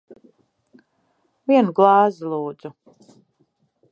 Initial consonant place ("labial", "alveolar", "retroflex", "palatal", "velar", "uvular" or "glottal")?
labial